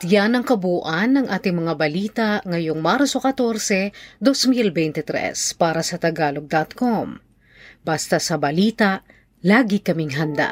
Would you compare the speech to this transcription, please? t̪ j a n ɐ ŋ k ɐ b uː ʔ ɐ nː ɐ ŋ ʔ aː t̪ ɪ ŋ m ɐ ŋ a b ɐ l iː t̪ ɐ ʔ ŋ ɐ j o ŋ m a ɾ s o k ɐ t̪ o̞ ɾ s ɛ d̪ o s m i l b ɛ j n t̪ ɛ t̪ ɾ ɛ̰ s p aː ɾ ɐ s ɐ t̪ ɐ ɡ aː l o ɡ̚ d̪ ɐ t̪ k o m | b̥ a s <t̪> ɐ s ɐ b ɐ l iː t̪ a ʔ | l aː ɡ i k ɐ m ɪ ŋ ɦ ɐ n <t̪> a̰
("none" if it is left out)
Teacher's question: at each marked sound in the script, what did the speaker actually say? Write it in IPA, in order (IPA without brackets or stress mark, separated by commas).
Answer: t̪, d̪